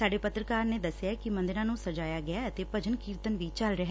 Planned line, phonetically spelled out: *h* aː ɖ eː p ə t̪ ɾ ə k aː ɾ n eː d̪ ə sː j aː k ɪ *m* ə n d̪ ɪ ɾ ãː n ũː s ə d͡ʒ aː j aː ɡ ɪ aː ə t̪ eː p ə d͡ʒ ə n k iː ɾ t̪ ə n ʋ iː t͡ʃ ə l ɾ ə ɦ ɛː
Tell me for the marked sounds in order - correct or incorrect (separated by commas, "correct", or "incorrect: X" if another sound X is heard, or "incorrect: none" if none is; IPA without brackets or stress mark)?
incorrect: s, correct